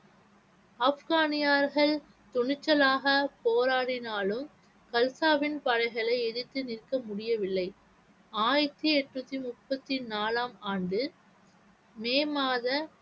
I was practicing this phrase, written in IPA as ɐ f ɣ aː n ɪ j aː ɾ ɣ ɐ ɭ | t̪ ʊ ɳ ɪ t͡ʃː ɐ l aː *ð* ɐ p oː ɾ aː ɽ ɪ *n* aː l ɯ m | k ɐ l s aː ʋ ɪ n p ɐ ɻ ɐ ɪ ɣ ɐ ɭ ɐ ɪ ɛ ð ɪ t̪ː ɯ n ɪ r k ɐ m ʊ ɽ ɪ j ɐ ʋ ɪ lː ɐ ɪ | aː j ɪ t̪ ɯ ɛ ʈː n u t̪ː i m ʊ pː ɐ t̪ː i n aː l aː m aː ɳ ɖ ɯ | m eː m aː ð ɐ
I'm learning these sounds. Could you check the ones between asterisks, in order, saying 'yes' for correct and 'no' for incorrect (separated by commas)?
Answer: no, yes